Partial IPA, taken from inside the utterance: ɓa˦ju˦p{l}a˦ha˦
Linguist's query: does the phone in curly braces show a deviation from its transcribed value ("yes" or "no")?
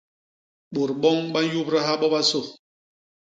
yes